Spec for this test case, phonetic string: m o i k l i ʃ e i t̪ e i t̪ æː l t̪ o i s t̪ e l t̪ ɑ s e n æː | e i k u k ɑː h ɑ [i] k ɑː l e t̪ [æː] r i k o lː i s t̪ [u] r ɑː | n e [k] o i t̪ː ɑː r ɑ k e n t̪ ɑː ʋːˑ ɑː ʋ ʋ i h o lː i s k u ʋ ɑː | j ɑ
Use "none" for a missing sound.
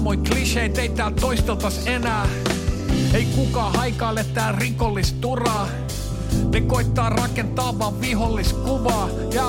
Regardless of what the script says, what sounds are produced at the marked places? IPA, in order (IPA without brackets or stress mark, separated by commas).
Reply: i, æː, u, k